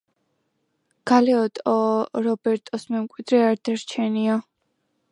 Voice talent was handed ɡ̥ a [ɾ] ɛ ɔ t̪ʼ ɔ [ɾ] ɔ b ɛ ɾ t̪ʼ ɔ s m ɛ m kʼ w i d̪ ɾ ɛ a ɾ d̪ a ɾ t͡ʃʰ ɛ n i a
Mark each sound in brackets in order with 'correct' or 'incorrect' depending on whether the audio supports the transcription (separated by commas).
incorrect, correct